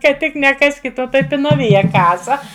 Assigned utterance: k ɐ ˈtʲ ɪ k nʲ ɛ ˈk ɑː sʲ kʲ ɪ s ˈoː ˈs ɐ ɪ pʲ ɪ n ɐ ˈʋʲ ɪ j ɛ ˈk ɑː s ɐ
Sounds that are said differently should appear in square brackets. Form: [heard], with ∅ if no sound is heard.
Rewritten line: k ɐ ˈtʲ ɪ k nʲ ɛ ˈk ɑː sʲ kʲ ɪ [t] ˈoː [ˈt] ɐ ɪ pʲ ɪ n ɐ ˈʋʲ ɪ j ɛ ˈk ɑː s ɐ